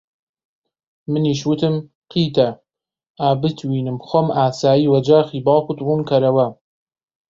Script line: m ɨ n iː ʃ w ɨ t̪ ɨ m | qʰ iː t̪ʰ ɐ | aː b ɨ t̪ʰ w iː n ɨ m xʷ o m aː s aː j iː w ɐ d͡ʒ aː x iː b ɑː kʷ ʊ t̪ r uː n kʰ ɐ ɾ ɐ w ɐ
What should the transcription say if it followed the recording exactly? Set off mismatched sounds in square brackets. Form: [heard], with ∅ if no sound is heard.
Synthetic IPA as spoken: m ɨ n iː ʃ w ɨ t̪ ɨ m | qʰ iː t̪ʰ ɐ | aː b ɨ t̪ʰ w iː n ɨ m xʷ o m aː s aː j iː w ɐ d͡ʒ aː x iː b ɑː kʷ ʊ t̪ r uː n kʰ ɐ ɾ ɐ w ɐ